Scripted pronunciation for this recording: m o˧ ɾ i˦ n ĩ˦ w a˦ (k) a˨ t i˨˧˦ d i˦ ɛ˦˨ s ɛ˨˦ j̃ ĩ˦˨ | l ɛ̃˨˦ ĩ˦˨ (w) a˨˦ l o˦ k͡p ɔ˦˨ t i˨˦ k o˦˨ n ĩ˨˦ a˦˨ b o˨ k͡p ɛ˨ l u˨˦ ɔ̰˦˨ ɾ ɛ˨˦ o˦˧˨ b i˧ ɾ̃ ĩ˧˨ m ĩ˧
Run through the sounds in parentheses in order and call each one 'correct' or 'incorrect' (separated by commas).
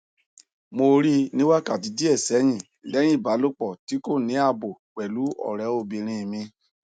correct, incorrect